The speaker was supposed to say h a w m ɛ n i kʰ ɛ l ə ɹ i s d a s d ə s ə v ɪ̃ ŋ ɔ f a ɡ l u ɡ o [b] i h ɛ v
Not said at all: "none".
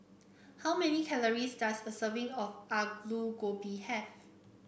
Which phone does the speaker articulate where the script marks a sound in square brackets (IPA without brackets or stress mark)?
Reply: b